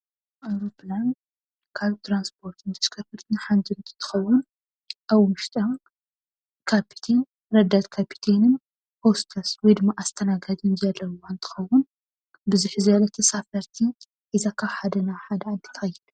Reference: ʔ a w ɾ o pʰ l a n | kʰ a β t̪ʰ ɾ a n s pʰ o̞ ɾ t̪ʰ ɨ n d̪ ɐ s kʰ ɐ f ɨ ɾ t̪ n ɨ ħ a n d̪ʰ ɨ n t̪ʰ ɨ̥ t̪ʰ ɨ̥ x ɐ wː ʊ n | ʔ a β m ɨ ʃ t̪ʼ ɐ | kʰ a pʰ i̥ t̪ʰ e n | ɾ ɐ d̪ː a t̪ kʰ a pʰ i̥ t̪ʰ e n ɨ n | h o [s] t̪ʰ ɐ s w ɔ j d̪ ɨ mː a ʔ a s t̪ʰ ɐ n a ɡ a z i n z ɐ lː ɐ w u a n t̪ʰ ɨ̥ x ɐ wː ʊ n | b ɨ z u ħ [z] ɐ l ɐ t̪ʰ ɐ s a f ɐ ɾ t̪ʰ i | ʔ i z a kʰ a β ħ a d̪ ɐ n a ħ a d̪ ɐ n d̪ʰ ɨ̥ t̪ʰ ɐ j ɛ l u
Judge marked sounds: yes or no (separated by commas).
yes, yes